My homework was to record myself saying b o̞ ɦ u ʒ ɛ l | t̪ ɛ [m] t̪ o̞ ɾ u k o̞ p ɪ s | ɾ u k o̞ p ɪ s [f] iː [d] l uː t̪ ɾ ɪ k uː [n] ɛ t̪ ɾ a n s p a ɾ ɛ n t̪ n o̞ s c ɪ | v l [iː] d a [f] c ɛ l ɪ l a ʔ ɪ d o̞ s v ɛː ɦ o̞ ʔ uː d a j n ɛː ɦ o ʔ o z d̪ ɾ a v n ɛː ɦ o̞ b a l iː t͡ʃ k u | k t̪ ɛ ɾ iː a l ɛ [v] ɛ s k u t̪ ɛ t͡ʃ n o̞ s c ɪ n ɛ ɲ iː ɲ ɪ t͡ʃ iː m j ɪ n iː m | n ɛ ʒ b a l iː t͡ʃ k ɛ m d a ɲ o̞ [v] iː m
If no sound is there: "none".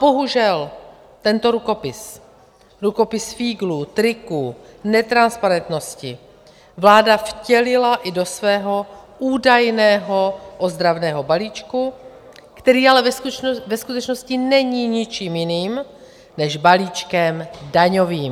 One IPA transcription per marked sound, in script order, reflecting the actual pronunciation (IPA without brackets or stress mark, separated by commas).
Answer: n, f, ɡ, n, aː, f, v, v